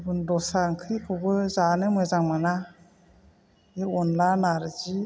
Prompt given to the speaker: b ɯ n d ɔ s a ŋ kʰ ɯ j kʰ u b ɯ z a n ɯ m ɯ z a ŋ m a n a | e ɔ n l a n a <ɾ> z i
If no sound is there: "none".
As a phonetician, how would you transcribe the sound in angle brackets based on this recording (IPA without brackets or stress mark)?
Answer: ɾ